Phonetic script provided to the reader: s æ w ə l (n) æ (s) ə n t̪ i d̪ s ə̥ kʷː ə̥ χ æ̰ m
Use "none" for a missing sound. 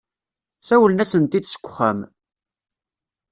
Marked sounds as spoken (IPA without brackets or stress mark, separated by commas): n, s